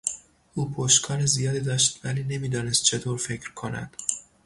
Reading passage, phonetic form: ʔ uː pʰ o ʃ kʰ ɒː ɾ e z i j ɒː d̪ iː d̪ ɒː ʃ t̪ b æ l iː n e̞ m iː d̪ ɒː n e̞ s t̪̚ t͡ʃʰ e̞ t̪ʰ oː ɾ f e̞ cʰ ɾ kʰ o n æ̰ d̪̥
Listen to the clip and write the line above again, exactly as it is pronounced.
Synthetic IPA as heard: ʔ uː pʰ o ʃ kʰ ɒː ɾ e z i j ɒː d̪ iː d̪ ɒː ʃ t̪ v æ l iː n e̞ m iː d̪ ɒː n e̞ s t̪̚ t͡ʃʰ e̞ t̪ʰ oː ɾ f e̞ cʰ ɾ kʰ o n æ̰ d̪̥